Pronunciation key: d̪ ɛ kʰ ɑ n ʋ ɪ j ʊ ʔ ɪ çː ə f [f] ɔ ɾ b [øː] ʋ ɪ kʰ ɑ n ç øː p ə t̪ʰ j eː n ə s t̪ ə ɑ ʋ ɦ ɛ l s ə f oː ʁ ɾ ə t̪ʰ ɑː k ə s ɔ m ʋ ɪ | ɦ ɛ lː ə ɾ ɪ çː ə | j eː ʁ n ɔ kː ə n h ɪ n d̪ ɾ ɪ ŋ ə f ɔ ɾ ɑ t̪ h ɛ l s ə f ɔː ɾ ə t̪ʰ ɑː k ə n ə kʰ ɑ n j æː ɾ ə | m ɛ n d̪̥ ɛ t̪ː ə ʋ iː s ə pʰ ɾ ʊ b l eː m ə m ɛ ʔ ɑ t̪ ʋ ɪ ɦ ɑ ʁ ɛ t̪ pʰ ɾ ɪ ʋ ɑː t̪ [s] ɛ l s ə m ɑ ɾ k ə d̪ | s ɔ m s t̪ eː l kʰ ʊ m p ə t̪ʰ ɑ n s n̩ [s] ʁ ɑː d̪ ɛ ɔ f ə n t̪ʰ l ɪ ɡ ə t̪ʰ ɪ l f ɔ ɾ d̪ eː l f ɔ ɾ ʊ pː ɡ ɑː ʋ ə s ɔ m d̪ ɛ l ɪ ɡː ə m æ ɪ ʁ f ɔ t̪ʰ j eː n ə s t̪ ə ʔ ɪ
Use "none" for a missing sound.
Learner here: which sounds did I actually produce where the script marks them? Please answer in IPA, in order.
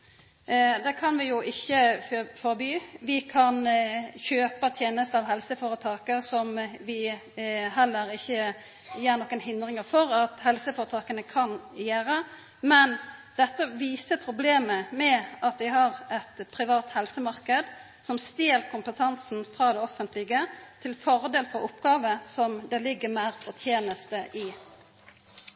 f, yː, h, f

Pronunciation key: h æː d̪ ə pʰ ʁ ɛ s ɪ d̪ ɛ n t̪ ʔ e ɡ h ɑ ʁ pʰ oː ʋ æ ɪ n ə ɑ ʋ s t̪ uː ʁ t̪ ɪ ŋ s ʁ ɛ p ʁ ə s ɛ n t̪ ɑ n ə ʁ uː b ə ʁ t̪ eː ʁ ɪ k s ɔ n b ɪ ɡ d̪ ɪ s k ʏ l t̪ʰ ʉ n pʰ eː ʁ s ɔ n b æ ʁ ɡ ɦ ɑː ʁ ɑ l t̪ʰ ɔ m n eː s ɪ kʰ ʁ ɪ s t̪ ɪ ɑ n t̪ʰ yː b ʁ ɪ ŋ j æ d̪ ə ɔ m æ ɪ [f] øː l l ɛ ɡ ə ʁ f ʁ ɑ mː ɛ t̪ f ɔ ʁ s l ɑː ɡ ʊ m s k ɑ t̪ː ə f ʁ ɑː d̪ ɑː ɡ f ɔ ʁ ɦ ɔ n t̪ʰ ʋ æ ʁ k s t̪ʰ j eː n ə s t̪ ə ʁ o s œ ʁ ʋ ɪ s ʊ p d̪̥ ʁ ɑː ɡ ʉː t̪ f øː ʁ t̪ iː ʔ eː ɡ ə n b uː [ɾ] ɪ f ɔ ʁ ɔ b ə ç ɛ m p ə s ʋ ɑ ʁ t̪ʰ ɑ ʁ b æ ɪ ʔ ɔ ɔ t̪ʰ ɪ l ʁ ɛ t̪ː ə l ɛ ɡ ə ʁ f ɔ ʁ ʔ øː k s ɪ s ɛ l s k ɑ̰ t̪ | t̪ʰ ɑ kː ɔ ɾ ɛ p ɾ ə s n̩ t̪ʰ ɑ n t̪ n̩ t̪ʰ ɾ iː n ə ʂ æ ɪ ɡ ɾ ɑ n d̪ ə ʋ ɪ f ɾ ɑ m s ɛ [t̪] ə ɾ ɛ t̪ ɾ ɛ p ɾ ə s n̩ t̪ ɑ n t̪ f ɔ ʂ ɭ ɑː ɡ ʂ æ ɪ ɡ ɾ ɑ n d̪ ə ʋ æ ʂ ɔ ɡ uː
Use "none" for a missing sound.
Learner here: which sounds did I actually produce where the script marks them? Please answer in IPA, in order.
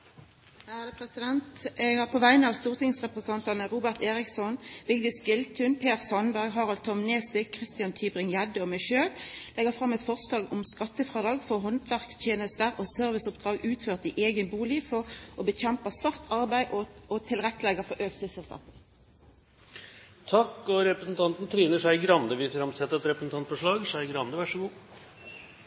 ʃ, l, t̪

